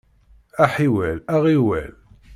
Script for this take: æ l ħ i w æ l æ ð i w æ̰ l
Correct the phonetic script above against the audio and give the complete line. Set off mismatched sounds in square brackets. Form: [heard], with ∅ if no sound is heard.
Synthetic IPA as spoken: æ [∅] ħ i w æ l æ [ʁ] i w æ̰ l